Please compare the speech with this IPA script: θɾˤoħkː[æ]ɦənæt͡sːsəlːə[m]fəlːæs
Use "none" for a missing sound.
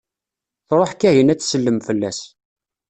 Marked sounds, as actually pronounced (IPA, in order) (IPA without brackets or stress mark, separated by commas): æ, m